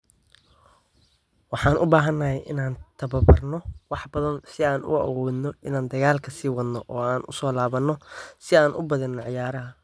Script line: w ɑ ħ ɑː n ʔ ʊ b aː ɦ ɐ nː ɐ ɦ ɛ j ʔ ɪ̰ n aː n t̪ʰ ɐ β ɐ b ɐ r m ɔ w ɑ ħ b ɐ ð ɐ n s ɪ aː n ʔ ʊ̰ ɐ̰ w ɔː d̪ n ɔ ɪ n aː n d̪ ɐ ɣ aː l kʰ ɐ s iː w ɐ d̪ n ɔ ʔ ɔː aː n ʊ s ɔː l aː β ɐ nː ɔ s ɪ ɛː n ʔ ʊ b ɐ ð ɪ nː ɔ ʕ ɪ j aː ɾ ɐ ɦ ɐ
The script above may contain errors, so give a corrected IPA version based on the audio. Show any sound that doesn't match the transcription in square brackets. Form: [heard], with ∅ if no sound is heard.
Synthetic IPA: w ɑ ħ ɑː n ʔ ʊ b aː ɦ ɐ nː ɐ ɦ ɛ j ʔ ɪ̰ n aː n t̪ʰ ɐ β ɐ b ɐ r [n] ɔ w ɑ ħ b ɐ ð ɐ n s ɪ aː n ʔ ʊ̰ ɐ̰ w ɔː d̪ n ɔ ɪ n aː n d̪ ɐ ɣ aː l kʰ ɐ s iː w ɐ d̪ n ɔ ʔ ɔː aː n ʊ s ɔː l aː β ɐ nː ɔ s ɪ [aː] n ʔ ʊ b ɐ ð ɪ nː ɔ ʕ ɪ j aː ɾ ɐ ɦ ɐ